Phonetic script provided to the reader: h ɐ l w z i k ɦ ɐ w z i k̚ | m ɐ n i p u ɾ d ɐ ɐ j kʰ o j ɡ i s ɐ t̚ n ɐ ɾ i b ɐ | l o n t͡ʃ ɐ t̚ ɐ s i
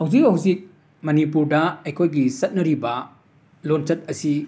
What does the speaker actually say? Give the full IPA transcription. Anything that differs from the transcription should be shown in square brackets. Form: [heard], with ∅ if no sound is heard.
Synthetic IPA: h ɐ [∅] w z i k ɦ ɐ w z i k̚ | m ɐ n i p u ɾ d ɐ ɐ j kʰ o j ɡ i s ɐ t̚ n ɐ ɾ i b ɐ | l o n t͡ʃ ɐ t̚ ɐ s i